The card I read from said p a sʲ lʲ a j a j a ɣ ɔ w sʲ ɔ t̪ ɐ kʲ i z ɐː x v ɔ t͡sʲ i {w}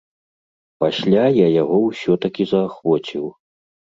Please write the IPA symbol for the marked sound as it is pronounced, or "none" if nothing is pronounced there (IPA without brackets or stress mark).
w